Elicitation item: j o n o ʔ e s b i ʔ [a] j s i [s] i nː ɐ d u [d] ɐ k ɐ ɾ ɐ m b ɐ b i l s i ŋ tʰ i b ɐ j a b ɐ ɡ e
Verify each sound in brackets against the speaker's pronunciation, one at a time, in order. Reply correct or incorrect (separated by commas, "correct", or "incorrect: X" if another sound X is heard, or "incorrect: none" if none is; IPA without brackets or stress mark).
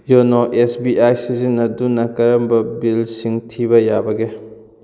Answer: correct, incorrect: z, incorrect: n